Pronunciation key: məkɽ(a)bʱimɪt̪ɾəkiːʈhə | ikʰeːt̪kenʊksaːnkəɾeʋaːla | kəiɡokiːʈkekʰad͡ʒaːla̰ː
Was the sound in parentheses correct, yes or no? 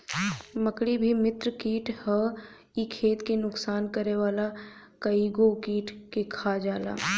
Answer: no